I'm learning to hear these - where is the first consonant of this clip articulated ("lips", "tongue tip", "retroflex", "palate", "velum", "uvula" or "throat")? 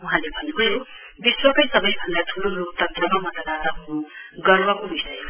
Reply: throat